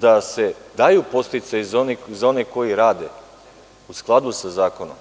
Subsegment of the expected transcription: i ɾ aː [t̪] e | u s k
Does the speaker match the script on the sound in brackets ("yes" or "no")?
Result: no